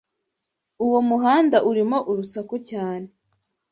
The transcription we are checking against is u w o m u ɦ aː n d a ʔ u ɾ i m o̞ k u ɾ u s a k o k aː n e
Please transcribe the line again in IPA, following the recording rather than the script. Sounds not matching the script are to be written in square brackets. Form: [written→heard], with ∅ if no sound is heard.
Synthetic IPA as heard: u w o m u ɦ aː n d a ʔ u ɾ i m o̞ [k→ʔ] u ɾ u s a k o [k→c] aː n e